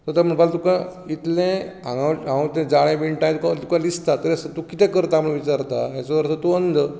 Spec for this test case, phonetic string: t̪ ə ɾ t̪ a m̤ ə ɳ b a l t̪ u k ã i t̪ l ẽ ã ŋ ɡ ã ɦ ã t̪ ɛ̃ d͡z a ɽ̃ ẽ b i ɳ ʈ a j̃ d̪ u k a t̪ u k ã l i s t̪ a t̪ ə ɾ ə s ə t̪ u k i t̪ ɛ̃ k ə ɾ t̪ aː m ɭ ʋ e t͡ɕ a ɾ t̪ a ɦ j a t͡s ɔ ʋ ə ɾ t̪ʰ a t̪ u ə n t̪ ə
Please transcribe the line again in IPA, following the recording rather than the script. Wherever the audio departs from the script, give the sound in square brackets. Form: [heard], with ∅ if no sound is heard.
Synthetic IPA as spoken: t̪ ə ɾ t̪ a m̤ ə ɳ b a l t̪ u k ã i t̪ l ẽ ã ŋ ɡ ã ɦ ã t̪ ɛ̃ d͡z a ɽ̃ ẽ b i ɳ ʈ a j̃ [t̪] u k a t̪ u k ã l i s t̪ a t̪ ə ɾ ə s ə t̪ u k i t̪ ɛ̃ k ə ɾ t̪ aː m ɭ ʋ [i] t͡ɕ a ɾ t̪ a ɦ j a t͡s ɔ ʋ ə ɾ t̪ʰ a t̪ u ə n [d̪] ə